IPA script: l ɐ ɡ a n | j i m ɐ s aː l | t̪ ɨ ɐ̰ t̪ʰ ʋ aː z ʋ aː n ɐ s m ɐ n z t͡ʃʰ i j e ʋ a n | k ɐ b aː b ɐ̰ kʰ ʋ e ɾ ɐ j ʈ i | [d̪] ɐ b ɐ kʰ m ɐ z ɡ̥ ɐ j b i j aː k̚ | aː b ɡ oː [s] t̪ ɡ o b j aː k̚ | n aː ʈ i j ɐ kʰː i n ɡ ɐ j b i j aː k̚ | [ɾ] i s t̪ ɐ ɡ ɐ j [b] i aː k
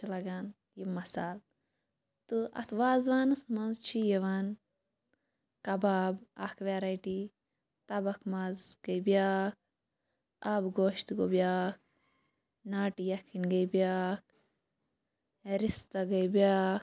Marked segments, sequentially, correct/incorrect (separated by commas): incorrect, incorrect, correct, correct